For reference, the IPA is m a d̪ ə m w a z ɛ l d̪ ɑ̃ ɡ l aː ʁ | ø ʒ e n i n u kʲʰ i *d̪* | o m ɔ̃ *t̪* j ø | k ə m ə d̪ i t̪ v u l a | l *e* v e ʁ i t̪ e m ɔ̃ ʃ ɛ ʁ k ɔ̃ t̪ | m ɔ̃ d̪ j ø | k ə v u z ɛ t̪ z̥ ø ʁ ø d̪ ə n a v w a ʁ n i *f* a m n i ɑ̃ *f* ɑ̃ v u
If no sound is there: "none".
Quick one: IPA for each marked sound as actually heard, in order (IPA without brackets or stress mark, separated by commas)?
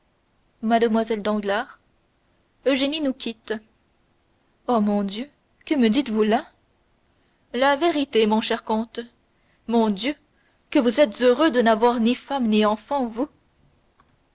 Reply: t̪, d̪, a, f, f